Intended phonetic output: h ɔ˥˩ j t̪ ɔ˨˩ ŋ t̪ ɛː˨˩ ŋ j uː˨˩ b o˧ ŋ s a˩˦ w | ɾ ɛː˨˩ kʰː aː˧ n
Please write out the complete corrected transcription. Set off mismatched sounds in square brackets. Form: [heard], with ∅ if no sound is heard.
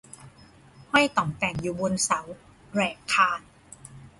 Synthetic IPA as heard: h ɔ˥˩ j t̪ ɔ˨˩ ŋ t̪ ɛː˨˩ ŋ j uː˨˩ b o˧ [n] s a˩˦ w | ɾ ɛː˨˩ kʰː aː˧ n